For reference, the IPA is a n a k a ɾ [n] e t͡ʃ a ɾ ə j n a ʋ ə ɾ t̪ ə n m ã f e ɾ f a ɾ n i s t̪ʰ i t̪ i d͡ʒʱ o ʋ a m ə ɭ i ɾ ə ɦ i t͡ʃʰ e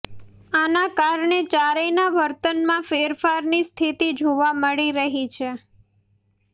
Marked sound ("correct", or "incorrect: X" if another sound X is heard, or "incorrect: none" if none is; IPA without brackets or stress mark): incorrect: ɳ